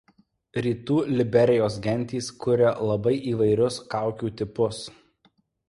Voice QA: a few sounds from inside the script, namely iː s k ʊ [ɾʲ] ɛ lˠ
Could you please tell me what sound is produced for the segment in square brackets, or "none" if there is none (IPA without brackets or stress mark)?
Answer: ɾʲ